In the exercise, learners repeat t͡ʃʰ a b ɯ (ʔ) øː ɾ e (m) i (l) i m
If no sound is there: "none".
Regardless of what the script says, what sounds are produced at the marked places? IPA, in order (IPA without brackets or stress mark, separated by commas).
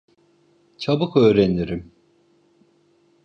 k, n, ɾ